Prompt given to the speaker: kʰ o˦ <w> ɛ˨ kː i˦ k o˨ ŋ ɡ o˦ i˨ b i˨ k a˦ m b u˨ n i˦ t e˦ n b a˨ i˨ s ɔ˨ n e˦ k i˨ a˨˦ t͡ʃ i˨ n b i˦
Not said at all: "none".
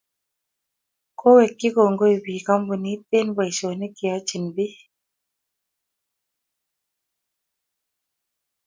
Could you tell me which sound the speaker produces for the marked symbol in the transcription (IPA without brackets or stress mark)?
w